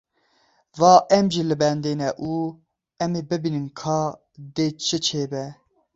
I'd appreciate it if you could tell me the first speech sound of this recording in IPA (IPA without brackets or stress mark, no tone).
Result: v